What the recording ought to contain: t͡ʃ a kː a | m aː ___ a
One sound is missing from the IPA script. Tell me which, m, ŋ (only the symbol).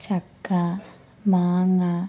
ŋ